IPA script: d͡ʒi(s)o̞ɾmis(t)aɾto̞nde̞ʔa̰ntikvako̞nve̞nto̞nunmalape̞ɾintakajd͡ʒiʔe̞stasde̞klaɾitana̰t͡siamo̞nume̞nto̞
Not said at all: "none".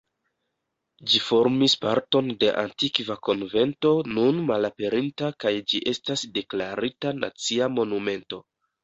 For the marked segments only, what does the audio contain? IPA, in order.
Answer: f, p

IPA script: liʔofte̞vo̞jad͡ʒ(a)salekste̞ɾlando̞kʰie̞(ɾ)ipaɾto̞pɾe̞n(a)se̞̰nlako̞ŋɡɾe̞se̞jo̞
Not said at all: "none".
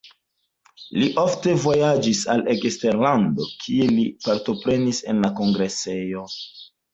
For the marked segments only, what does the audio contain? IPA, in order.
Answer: i, l, i

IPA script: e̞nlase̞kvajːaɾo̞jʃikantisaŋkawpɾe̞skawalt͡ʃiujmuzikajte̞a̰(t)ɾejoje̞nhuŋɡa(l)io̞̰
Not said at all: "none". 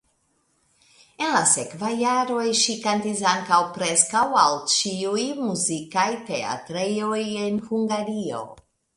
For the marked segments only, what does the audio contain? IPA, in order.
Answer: t, ɾ

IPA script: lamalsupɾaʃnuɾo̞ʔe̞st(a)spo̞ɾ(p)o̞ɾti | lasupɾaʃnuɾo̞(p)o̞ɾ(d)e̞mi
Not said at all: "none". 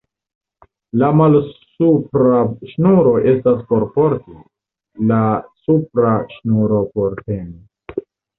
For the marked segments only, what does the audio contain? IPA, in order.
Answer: a, p, p, t

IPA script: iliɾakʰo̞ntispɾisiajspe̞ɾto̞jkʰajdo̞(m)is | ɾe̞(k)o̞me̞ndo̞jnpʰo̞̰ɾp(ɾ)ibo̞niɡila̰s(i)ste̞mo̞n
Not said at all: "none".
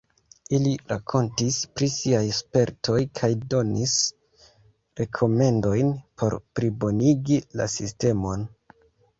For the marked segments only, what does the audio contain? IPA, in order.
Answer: n, kʰ, ɾ, i

